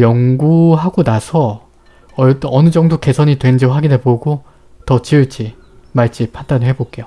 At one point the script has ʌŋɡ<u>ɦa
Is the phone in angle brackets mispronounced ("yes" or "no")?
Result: no